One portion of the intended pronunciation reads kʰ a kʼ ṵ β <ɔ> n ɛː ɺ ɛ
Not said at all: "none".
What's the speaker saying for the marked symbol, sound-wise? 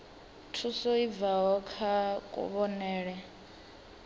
ɔ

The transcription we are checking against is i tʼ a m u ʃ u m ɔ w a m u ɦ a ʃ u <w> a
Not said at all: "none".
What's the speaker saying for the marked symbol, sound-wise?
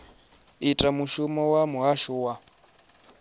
w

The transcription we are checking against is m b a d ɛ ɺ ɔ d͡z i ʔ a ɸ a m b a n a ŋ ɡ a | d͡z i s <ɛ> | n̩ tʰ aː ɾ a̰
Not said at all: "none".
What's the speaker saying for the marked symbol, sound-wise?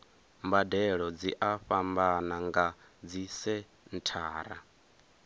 ɛ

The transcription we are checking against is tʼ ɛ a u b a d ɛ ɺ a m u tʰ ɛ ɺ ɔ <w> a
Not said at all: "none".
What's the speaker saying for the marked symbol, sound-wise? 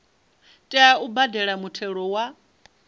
w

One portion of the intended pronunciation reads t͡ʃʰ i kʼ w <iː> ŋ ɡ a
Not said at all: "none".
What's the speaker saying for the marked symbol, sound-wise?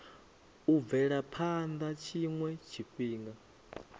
iː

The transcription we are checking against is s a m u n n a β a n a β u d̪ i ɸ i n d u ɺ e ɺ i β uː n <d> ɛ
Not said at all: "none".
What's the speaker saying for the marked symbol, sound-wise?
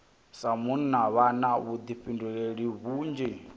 d͡ʒ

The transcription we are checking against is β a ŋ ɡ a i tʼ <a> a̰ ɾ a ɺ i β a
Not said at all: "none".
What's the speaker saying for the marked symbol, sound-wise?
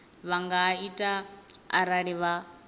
a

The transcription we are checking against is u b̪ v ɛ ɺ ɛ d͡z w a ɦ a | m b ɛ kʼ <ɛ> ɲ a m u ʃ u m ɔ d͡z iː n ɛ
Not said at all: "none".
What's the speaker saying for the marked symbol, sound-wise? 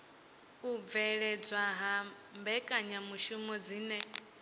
a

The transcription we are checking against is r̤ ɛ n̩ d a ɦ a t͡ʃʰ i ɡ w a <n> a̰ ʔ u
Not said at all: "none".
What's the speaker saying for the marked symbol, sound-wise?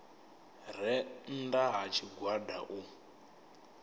d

